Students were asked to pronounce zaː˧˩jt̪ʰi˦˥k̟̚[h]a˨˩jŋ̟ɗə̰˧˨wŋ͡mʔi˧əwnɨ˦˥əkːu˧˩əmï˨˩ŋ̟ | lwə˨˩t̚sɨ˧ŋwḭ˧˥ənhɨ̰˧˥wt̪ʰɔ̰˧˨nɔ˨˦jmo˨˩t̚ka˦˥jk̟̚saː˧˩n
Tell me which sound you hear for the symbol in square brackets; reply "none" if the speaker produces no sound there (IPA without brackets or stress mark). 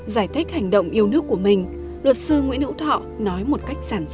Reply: h